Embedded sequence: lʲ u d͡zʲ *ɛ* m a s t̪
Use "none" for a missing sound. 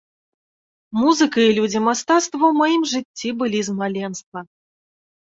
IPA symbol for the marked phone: i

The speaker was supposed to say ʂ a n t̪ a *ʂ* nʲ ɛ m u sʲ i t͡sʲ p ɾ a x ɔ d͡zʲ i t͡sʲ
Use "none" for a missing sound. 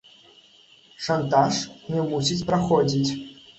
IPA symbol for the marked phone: ʂ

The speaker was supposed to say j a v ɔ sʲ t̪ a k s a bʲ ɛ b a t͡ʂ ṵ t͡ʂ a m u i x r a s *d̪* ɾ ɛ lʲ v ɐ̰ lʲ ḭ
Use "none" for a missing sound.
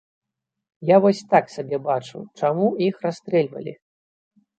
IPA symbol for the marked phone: t̪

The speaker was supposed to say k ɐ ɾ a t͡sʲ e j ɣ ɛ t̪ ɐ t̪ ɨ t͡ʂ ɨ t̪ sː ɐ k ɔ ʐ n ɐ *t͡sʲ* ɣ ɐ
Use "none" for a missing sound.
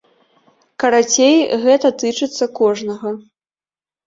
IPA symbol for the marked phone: none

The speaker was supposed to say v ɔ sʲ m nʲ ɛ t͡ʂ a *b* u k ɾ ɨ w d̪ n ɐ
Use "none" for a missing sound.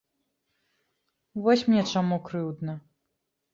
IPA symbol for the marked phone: m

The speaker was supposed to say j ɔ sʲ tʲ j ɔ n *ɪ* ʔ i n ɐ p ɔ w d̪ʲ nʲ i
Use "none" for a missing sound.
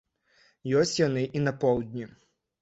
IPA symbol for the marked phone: ɪ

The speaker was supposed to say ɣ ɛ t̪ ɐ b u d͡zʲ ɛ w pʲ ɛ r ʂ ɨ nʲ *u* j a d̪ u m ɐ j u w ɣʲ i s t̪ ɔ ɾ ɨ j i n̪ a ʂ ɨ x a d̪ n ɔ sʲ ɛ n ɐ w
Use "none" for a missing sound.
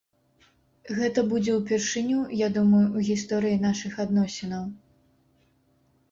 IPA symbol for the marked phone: u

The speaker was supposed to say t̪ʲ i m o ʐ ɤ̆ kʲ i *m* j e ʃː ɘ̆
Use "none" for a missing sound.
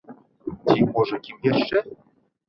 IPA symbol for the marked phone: m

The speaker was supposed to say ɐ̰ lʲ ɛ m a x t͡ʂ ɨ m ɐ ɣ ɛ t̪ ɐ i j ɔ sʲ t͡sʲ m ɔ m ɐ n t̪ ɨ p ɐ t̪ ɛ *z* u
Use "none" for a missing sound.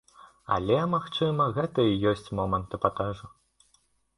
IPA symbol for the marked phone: ʐ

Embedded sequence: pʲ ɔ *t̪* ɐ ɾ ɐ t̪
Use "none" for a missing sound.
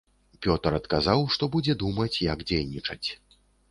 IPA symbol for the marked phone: t̪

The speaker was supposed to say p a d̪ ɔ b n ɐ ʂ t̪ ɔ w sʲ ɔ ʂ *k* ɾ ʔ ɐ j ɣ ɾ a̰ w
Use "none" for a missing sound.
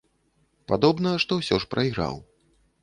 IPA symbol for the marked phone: p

